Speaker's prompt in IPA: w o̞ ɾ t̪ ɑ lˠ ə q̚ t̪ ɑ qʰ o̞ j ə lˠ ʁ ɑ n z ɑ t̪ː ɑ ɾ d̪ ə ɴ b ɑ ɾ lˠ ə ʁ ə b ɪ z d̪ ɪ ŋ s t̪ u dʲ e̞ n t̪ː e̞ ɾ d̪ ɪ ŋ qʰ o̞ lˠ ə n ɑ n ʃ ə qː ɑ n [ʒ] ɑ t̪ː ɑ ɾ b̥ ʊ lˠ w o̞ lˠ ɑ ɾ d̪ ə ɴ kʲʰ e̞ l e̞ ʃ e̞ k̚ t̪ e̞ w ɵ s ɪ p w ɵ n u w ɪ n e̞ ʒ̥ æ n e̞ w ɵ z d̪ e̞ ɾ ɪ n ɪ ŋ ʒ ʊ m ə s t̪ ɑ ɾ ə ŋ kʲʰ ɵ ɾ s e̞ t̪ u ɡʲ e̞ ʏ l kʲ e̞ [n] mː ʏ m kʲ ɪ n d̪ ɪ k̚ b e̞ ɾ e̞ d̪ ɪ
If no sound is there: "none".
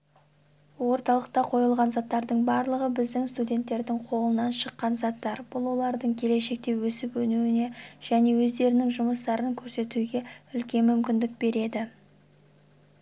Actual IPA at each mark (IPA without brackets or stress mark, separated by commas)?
z, n